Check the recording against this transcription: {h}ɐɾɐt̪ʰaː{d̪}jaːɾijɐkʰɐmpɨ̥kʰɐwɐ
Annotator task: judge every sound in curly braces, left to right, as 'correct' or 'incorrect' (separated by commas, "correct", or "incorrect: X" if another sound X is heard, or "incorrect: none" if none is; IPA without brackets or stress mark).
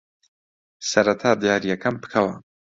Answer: incorrect: s, correct